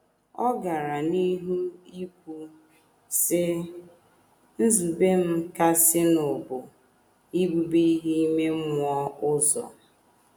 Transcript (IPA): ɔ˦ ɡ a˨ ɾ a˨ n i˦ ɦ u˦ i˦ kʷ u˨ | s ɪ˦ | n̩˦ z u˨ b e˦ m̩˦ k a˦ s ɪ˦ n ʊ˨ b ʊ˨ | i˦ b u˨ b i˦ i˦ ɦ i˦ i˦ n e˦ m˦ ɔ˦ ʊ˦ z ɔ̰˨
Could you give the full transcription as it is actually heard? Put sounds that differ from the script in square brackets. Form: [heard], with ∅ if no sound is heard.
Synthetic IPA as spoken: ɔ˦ ɡ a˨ ɾ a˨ n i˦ ɦ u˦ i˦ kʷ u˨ | s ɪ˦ | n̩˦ z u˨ b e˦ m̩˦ k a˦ s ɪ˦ n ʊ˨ b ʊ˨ | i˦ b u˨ b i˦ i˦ ɦ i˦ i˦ [m] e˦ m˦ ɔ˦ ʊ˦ z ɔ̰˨